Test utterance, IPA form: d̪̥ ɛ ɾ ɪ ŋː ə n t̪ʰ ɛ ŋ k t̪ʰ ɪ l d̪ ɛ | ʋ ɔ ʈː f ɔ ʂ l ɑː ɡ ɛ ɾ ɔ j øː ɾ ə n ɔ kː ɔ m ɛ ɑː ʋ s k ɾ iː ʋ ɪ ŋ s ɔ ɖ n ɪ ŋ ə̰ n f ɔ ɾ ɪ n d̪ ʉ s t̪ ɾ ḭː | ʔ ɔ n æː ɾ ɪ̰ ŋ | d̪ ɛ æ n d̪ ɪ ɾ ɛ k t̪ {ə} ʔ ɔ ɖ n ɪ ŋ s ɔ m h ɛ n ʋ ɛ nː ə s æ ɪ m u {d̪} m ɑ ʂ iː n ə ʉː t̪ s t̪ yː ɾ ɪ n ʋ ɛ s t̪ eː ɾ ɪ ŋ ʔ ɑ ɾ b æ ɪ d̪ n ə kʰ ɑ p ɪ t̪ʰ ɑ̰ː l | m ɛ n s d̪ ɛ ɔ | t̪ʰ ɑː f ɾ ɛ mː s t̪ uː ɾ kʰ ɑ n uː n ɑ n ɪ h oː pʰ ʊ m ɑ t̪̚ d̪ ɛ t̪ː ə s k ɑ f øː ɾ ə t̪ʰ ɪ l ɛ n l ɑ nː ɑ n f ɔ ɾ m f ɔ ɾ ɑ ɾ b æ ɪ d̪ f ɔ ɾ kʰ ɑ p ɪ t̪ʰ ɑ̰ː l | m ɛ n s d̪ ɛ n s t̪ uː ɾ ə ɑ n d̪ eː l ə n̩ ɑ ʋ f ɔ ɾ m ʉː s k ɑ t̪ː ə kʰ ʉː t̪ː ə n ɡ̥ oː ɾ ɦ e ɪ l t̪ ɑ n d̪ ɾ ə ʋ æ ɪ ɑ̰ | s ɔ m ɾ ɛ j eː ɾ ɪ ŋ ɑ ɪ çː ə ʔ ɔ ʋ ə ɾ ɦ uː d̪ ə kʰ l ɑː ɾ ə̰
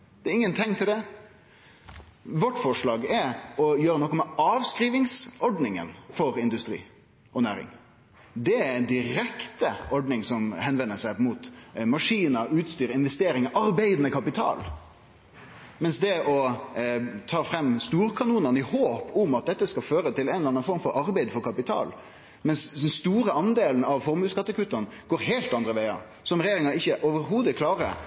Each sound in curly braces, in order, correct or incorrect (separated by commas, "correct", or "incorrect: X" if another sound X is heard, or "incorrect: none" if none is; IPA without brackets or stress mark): correct, incorrect: t̪